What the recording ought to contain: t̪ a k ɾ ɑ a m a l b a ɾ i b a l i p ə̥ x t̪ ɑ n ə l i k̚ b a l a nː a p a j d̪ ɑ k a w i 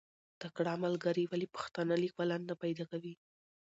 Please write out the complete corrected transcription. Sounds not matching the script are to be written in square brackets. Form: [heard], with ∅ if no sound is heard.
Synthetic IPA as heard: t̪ a k [ɽ] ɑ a m a l [ɡ] a ɾ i [w] a l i p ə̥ x t̪ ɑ n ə l i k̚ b a l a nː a p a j d̪ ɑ k a w i